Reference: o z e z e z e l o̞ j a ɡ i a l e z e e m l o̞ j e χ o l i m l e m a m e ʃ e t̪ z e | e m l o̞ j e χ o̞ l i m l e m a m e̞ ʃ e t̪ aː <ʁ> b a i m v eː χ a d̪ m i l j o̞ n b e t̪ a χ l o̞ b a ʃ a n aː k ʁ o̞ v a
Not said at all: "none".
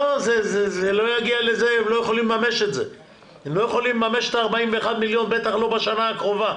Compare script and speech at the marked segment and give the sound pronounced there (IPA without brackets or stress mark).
ʁ